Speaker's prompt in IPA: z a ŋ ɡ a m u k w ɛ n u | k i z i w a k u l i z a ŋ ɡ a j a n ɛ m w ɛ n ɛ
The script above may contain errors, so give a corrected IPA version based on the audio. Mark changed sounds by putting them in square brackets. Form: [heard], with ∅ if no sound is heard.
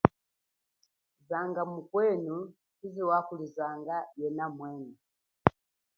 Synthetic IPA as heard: z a ŋ ɡ a m u k w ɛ n u | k i z i w a k u l i z a ŋ ɡ a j [ɛ] n [a] m w ɛ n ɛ